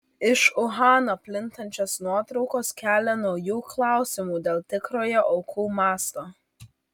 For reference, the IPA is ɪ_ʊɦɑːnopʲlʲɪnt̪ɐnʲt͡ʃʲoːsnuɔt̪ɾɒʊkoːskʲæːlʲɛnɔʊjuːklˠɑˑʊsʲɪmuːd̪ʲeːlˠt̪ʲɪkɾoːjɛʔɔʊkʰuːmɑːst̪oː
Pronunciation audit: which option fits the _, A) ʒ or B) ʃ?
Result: B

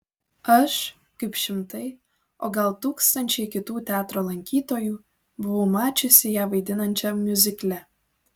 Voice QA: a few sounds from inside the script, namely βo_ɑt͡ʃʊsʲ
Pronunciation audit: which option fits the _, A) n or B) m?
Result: B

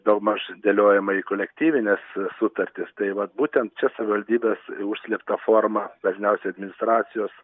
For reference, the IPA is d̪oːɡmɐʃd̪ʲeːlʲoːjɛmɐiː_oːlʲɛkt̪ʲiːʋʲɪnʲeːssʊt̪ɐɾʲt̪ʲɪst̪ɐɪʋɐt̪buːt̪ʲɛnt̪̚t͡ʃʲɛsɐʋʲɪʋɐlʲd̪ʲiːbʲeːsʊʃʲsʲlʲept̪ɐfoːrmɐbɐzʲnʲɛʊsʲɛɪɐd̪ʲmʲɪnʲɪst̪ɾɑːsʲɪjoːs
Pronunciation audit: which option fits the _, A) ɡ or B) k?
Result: B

